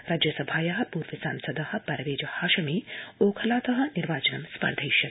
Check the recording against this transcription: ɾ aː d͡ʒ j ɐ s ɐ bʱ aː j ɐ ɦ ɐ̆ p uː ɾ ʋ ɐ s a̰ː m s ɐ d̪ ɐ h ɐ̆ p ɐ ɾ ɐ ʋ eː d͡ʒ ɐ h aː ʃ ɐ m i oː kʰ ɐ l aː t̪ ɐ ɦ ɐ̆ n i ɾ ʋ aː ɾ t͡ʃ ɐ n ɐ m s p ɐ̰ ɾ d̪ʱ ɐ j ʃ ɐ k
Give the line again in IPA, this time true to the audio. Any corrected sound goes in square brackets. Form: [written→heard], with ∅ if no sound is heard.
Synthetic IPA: ɾ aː d͡ʒ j ɐ s ɐ bʱ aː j ɐ ɦ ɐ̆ p uː ɾ ʋ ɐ s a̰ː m s ɐ d̪ ɐ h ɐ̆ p ɐ ɾ ɐ ʋ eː d͡ʒ ɐ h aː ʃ ɐ m i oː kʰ ɐ l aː t̪ ɐ ɦ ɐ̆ n i ɾ ʋ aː [ɾ→∅] t͡ʃ ɐ n ɐ m s p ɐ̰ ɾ d̪ʱ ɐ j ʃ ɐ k